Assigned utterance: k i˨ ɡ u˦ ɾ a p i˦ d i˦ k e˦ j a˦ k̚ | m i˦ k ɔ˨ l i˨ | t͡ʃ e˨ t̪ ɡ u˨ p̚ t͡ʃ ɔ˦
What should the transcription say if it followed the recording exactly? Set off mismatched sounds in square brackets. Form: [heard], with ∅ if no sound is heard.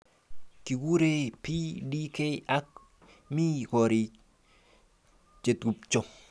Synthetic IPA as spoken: k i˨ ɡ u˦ ɾ [e] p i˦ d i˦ k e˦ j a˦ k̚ | m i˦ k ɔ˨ [ɾ] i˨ | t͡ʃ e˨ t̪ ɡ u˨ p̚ t͡ʃ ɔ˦